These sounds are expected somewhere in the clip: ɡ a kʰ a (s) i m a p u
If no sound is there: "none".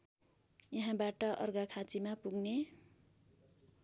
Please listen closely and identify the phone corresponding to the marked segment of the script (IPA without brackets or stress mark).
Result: t͡s